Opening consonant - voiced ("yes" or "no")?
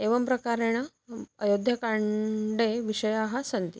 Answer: yes